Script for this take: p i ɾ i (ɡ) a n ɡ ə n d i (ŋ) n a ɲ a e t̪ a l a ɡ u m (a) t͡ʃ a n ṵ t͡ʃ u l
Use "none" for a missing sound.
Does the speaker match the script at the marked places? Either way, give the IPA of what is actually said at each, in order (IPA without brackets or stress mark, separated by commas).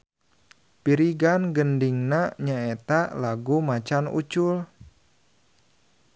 ɡ, ŋ, a